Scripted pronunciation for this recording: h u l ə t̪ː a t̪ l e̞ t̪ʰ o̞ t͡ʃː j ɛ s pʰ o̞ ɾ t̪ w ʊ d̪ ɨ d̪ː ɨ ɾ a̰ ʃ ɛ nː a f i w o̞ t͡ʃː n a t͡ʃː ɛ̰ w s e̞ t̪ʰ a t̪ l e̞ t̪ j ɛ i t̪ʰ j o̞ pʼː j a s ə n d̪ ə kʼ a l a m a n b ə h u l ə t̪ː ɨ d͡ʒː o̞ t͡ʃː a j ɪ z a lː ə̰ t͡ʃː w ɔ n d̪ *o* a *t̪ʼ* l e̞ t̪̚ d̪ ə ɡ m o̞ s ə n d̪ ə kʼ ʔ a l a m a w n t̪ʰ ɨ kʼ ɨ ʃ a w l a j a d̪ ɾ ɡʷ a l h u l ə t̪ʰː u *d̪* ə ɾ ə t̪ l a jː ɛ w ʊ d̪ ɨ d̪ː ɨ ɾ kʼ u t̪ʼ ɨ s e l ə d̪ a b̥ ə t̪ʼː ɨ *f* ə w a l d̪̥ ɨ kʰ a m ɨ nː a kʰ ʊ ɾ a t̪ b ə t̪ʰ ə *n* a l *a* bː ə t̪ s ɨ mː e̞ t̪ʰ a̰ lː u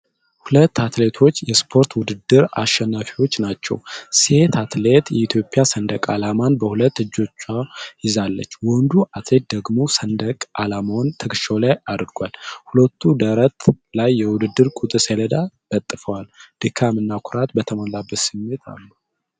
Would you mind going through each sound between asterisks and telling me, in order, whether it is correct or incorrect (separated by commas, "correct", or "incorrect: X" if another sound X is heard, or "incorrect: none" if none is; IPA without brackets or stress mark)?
incorrect: u, incorrect: t̪, correct, correct, incorrect: m, correct